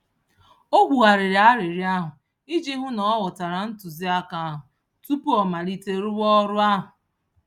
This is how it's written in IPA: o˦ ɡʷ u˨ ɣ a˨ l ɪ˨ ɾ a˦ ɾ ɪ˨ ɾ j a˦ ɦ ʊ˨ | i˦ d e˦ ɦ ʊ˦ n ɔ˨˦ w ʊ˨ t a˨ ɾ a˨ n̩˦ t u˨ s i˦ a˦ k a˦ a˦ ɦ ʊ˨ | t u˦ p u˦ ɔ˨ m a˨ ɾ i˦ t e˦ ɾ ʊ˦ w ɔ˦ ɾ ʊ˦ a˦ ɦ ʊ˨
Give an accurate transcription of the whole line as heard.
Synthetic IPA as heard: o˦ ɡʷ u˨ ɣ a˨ ɾ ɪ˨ ɾ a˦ ɾ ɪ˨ ɾ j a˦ ɦ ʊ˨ | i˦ d͡ʒ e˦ ɦ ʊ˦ n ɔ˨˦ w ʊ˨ t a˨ ɾ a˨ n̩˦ t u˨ z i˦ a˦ k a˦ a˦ ɦ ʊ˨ | t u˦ p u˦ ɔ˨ m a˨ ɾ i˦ t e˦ ɾ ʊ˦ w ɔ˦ ɾ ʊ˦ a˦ ɦ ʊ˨